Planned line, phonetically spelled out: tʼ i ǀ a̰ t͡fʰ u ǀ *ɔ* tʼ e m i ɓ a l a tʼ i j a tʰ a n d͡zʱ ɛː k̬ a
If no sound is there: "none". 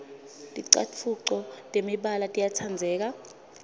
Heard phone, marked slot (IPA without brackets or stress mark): ɔ